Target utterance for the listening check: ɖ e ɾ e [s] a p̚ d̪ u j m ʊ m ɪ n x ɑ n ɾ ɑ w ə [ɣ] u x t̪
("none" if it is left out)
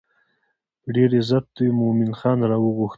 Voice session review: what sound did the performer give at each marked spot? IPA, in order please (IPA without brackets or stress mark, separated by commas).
z, ɣ